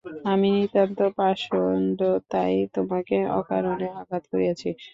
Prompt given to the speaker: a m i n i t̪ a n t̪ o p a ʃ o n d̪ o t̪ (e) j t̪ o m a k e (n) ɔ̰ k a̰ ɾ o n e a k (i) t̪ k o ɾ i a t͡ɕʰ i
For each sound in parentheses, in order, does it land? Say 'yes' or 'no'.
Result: no, no, no

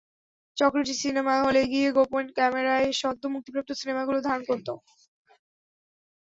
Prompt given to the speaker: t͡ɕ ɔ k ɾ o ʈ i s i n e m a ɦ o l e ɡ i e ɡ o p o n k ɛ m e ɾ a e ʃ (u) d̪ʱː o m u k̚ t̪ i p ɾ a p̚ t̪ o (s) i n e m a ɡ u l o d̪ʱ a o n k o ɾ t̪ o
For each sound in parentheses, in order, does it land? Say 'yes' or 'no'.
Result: no, yes

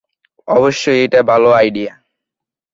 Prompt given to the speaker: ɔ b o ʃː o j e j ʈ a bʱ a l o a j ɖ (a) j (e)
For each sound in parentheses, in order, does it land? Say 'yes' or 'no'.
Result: no, no

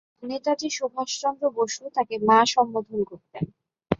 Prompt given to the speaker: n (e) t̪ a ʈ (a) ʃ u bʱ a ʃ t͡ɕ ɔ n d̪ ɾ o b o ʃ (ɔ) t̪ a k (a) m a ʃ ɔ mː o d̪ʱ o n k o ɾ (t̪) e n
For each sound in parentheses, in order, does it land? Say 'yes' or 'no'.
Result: yes, no, no, no, yes

